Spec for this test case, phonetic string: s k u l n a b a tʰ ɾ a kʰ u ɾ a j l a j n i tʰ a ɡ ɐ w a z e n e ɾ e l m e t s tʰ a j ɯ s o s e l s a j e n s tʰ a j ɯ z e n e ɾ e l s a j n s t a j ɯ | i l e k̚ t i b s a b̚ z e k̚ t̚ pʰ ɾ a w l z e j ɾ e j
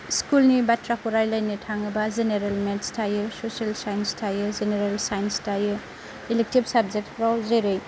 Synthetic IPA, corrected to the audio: s k u l n i b a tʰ ɾ a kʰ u ɾ a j l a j n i tʰ a ŋ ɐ b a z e n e ɾ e l m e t s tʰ a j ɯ s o s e l s a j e n s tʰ a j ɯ z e n e ɾ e l s a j n s t a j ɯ | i l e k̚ t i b s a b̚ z e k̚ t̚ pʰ ɾ a w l z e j ɾ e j